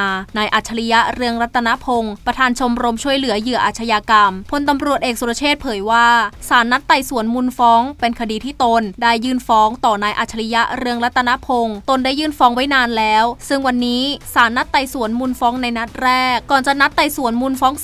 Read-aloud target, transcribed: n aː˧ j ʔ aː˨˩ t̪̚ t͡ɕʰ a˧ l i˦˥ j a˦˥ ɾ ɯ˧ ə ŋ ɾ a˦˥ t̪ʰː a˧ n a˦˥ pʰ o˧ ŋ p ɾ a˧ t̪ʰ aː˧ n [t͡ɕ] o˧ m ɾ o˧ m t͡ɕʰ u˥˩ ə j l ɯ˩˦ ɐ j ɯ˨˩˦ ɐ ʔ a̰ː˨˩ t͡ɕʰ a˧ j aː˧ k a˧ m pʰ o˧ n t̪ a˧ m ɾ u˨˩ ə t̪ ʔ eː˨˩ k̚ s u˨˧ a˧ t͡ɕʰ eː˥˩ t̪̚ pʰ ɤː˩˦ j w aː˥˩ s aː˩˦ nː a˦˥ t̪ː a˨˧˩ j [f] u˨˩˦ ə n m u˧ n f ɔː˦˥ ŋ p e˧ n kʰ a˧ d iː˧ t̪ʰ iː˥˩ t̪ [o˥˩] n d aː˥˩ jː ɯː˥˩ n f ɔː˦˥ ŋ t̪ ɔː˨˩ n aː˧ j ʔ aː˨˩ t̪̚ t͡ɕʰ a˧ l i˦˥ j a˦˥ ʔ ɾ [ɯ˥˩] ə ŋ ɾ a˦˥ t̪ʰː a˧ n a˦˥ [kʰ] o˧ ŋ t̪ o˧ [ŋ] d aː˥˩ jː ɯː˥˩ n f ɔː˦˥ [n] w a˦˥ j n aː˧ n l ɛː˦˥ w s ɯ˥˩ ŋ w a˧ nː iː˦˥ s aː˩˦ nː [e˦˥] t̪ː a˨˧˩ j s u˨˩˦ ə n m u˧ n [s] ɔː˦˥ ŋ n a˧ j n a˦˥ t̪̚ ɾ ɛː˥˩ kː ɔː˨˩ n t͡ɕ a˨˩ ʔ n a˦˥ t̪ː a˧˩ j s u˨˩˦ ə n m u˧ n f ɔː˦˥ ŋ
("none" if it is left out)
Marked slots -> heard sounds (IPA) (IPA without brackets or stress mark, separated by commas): t͡ɕʰ, s, o˧, ɯ˧, pʰ, n, ŋ, a˦˥, f